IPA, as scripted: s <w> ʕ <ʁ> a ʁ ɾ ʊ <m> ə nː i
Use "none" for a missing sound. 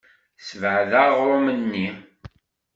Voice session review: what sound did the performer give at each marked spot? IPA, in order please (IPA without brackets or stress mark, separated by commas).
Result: v, ð, m